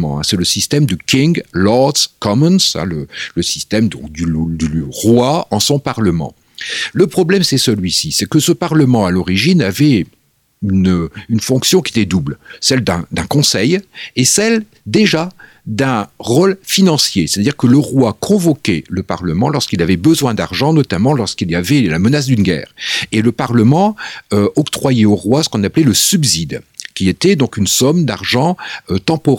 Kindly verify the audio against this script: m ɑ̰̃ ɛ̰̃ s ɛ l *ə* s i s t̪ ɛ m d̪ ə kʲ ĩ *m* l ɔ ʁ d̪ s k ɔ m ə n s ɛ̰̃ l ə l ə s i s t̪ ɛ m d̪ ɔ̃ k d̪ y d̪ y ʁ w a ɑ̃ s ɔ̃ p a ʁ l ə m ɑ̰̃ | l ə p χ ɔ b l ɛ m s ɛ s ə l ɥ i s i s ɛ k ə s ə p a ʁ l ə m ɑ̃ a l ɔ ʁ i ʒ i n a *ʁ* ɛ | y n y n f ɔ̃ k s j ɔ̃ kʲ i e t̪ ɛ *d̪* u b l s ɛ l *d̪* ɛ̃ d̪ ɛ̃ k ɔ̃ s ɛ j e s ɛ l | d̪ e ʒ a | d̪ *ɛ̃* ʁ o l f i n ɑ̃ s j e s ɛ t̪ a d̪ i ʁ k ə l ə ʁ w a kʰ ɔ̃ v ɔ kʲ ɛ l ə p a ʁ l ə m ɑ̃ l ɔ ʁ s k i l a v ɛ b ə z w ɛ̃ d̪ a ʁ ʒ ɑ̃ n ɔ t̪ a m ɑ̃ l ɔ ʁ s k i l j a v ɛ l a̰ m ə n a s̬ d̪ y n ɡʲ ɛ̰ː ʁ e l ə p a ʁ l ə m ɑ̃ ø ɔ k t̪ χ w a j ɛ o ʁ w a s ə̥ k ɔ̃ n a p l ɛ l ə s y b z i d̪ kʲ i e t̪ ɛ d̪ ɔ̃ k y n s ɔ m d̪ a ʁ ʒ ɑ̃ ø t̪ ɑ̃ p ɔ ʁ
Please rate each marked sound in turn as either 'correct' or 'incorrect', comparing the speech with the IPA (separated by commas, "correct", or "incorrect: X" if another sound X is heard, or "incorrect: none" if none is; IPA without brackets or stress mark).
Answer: correct, incorrect: ŋ, incorrect: v, correct, correct, correct